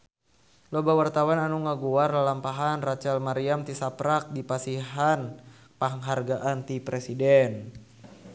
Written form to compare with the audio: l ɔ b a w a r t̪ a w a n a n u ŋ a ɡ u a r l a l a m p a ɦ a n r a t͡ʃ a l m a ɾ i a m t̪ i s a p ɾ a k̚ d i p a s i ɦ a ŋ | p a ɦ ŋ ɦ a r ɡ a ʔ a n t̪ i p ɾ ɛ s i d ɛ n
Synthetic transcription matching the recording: l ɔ b a w a r t̪ a w a n a n u ŋ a ɡ u a r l a l a m p a ɦ a n r a t͡ʃ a l m a ɾ i a m t̪ i s a p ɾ a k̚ d i p a s i ɦ a n | p a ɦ ŋ ɦ a r ɡ a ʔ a n t̪ i p ɾ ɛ s i d ɛ n